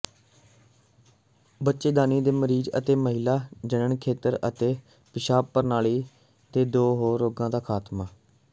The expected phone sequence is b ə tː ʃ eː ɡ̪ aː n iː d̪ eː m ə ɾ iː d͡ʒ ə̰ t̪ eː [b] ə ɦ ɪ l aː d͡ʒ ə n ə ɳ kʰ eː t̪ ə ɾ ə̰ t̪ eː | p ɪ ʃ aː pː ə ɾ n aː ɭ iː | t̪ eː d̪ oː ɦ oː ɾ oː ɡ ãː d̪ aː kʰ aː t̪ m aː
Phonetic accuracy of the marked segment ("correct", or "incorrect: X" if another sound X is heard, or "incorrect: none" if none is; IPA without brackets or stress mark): incorrect: m